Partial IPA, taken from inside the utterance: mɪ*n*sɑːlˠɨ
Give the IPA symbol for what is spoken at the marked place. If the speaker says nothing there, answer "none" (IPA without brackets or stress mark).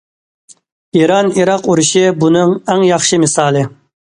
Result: none